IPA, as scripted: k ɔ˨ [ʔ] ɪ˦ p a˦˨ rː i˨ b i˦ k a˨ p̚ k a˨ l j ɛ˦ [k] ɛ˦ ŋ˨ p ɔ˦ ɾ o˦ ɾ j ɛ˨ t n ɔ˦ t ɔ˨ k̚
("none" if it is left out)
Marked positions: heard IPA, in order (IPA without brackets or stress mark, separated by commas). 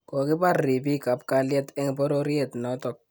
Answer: k, t